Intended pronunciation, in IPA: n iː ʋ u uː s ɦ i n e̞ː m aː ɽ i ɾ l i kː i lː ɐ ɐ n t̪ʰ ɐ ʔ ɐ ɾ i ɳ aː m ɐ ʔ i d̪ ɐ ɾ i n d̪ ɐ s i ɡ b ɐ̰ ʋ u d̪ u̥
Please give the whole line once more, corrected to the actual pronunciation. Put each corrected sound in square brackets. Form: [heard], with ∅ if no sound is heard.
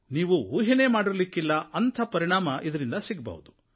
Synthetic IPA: n iː ʋ u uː [∅] ɦ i n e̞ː m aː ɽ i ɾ l i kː i lː ɐ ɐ n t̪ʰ ɐ [p] ɐ ɾ i ɳ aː m ɐ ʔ i d̪ ɐ ɾ i n d̪ ɐ s i ɡ b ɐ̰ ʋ u d̪ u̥

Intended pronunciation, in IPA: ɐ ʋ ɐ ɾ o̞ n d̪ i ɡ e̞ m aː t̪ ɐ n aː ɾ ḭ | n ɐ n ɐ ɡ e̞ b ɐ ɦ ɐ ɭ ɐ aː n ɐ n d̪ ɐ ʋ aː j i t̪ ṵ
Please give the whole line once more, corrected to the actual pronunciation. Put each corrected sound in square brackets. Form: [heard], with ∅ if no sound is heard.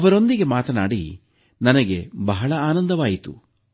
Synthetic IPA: ɐ ʋ ɐ ɾ o̞ n d̪ i ɡ e̞ m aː t̪ ɐ n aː [ɽ] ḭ | n ɐ n ɐ ɡ e̞ b ɐ ɦ ɐ ɭ ɐ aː n ɐ n d̪ ɐ ʋ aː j i t̪ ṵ

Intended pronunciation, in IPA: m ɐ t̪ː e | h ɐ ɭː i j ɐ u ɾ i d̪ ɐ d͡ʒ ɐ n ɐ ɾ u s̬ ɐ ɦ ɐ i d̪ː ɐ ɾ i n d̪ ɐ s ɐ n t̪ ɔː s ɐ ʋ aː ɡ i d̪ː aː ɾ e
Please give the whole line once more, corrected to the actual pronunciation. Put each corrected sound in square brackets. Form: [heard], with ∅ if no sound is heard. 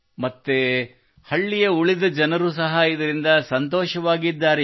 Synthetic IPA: m ɐ t̪ː e | h ɐ ɭː i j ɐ u [ɭ] i d̪ ɐ d͡ʒ ɐ n ɐ ɾ u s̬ ɐ ɦ ɐ i [d̪] ɐ ɾ i n d̪ ɐ s ɐ n t̪ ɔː [ʃ] ɐ ʋ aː ɡ i d̪ː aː ɾ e

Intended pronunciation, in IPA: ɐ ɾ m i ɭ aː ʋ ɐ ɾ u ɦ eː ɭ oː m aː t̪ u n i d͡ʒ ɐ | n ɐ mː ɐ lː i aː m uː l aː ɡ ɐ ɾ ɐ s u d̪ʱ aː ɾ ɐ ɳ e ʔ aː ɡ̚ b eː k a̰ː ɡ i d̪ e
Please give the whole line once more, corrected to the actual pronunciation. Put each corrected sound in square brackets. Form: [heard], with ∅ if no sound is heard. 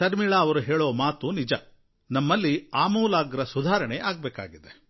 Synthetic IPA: ɐ ɾ m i ɭ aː ʋ ɐ ɾ u ɦ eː ɭ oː m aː t̪ u n i d͡ʒ ɐ | n ɐ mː ɐ lː i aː m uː l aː ɡ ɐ ɾ ɐ s u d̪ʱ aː ɾ ɐ ɳ e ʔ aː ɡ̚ b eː k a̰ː ɡ i d̪ e

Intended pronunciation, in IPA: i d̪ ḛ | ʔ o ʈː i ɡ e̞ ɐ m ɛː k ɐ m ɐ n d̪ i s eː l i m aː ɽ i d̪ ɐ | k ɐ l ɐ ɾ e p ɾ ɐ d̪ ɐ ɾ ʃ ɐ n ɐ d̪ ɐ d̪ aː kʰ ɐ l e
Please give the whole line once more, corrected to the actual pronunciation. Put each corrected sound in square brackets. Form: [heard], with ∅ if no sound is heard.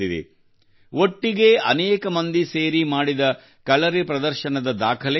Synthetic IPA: i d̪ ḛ | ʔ o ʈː i ɡ e̞ ɐ [n] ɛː k ɐ m ɐ n d̪ i s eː [ɾ] i m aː ɽ i d̪ ɐ | k ɐ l ɐ ɾ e p ɾ ɐ d̪ ɐ ɾ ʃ ɐ n ɐ d̪ ɐ d̪ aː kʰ ɐ l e

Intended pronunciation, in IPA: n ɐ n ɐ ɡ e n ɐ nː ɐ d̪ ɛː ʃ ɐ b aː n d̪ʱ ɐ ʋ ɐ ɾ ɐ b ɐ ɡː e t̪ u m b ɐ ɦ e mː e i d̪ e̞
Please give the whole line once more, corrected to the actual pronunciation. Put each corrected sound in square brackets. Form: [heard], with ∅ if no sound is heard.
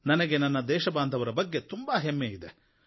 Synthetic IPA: n ɐ n ɐ ɡ e n ɐ nː ɐ d̪ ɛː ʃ ɐ b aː n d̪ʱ ɐ ʋ ɐ ɾ ɐ b ɐ ɡː e t̪ u m b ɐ ɦ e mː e i d̪ e̞

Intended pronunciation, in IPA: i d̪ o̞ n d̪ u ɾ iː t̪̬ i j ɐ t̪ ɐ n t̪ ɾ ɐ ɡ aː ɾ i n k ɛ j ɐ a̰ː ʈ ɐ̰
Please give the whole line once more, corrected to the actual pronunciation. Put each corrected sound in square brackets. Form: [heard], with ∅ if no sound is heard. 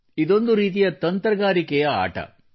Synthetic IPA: i d̪ o̞ n d̪ u ɾ iː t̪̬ i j ɐ t̪ ɐ n t̪ ɾ ɐ ɡ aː ɾ i [∅] k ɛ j ɐ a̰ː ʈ ɐ̰

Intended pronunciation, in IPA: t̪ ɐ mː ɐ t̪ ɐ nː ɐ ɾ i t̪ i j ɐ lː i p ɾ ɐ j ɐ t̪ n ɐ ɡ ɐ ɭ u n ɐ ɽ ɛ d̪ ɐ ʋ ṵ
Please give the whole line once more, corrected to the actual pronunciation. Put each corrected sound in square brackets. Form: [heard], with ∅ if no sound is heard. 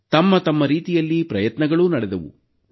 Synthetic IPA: t̪ ɐ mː ɐ t̪ ɐ [mː] ɐ ɾ [iː] t̪ i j ɐ lː i p ɾ ɐ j ɐ t̪ n ɐ ɡ ɐ ɭ u n ɐ ɽ ɛ d̪ ɐ ʋ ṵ

